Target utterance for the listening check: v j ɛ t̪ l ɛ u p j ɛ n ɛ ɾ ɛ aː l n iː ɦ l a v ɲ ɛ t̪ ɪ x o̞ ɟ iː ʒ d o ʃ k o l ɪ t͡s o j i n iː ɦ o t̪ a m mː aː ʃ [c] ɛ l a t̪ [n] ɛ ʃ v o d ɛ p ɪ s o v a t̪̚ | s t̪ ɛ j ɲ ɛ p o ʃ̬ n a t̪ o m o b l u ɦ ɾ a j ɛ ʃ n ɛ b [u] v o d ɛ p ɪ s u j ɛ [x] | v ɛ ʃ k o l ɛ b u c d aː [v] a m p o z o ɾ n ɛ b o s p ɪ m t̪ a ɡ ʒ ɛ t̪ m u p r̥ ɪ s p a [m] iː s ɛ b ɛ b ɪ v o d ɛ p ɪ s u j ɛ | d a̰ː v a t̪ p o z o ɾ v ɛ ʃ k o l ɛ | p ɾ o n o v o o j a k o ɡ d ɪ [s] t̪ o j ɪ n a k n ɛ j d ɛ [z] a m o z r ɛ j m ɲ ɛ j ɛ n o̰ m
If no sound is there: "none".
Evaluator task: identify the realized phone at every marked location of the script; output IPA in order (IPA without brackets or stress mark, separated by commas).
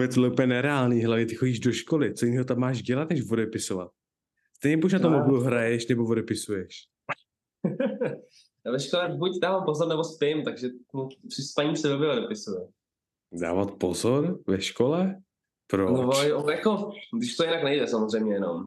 ɟ, n, o, ʃ, v, ɲ, ʃ, s